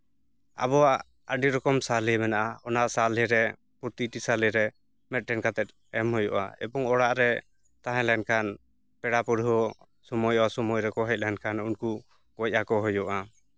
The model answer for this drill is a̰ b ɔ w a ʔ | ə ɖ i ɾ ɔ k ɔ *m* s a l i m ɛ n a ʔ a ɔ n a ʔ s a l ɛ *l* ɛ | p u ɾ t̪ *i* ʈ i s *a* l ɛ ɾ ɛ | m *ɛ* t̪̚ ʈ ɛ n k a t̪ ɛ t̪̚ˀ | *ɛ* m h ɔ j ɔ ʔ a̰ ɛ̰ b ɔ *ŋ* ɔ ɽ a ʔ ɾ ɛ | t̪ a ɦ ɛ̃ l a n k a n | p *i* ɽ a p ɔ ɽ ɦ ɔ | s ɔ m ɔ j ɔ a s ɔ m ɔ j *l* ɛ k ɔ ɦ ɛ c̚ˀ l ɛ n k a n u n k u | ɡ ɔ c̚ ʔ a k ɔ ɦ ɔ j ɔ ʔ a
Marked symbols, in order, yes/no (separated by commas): yes, no, yes, yes, yes, yes, yes, no, no